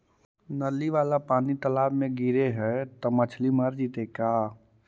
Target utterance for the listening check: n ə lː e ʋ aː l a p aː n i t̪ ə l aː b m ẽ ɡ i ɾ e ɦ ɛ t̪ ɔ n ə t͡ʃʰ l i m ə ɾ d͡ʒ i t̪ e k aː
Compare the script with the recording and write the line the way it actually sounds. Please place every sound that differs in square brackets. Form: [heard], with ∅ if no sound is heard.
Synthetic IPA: n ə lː [i] ʋ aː l a p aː n i t̪ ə l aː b m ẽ ɡ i ɾ e ɦ ɛ t̪ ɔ [m] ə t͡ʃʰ l i m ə ɾ d͡ʒ i t̪ e k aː